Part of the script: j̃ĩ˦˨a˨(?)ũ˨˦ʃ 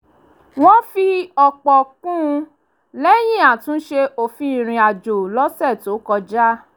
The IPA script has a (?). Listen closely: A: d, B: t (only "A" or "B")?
B